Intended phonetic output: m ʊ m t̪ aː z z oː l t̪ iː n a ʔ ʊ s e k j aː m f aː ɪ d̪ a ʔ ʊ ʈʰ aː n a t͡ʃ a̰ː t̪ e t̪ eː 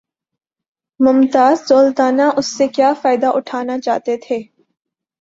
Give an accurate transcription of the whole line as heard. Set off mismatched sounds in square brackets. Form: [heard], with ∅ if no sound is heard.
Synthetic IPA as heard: m ʊ m t̪ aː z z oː l t̪ [aː] n a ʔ ʊ [sː] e k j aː [∅] f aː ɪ d̪ a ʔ ʊ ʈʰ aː n a t͡ʃ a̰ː t̪ e [t̪ʰ] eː